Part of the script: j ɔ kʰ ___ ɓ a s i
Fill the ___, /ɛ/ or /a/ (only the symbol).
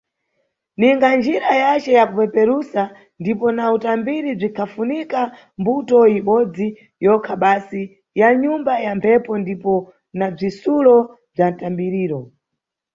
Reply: a